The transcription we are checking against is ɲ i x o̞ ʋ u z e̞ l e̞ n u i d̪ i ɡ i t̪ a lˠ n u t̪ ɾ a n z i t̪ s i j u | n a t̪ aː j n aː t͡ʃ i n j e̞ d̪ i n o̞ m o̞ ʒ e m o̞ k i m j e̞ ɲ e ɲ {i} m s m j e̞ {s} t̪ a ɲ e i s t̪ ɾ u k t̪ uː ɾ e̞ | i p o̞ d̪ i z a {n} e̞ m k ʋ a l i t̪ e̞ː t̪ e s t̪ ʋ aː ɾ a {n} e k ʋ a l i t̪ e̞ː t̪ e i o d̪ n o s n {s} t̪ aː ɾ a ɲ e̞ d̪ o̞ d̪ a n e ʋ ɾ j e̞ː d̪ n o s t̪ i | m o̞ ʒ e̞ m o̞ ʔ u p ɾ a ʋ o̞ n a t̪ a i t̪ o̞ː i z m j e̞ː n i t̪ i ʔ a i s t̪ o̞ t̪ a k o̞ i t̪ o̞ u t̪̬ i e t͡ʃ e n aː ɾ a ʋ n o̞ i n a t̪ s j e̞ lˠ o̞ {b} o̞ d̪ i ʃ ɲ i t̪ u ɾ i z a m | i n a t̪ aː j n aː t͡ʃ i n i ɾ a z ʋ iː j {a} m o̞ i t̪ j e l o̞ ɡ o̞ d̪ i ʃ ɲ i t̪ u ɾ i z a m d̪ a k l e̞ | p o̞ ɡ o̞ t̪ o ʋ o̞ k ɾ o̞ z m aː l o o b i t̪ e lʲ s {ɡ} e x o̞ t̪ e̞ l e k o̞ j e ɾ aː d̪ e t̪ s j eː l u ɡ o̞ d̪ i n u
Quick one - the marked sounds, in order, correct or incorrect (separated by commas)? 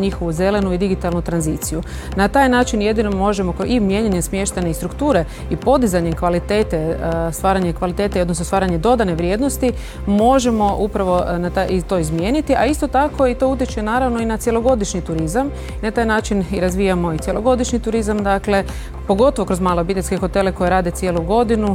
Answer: incorrect, incorrect, incorrect, incorrect, correct, incorrect, correct, incorrect